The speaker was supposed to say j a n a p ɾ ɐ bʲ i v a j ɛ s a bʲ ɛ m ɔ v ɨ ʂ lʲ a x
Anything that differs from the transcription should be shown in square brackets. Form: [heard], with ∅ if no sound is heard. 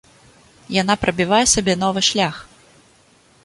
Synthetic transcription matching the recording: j a n a p ɾ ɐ bʲ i v a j ɛ s a bʲ ɛ [n] ɔ v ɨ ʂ lʲ a x